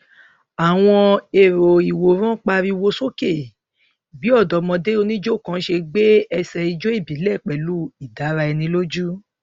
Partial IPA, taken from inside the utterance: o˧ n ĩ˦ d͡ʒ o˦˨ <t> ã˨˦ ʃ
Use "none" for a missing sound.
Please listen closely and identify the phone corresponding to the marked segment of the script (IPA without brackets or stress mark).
k